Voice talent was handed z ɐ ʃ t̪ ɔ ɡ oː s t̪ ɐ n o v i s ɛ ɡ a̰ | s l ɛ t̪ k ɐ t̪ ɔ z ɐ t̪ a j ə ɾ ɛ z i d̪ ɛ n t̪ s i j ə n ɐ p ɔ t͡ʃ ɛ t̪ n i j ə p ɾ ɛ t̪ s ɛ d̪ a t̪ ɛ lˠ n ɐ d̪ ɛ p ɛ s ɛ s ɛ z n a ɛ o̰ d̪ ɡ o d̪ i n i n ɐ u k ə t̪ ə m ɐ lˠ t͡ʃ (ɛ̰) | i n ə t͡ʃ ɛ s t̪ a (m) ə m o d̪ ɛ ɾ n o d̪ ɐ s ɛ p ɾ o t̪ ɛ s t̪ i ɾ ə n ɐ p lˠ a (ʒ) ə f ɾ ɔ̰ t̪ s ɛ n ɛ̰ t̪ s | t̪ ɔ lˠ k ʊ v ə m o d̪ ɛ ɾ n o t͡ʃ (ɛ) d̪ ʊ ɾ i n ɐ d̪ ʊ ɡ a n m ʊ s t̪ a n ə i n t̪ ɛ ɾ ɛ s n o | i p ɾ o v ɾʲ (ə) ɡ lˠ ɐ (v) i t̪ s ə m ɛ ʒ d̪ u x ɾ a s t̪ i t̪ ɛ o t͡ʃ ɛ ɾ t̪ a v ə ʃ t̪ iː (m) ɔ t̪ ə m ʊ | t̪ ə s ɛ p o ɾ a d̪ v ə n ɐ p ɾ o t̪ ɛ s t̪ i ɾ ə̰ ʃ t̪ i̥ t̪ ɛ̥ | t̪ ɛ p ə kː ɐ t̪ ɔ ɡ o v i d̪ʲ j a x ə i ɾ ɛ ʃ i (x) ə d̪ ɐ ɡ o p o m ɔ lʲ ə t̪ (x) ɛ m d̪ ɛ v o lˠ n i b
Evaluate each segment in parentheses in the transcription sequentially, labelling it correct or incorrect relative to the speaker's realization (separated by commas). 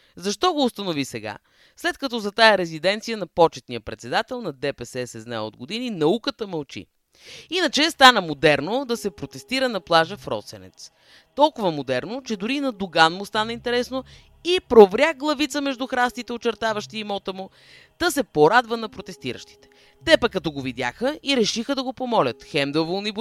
incorrect, incorrect, correct, correct, incorrect, correct, correct, correct, correct